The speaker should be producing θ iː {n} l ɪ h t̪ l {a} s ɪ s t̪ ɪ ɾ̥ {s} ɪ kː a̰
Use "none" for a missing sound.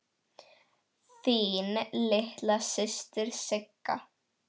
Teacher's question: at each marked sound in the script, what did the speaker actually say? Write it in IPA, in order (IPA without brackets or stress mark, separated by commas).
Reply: n, a, s